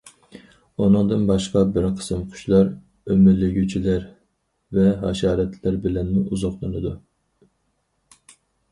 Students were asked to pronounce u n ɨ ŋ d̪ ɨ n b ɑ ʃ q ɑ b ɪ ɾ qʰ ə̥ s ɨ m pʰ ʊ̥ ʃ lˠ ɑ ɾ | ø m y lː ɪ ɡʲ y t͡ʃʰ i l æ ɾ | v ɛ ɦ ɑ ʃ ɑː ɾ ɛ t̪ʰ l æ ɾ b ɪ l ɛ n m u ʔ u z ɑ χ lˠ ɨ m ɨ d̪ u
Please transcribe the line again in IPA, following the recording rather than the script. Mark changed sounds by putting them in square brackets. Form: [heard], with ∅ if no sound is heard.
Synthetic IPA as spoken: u n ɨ ŋ d̪ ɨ n b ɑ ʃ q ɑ b ɪ ɾ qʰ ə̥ s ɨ m [qʰ] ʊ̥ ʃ lˠ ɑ ɾ | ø m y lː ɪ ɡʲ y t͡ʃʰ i l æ ɾ | v ɛ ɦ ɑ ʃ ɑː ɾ ɛ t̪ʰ l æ ɾ b ɪ l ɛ n m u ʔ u z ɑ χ lˠ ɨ [n] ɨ d̪ u